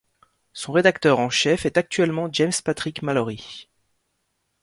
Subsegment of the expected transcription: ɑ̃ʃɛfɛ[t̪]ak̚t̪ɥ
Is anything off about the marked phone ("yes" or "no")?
no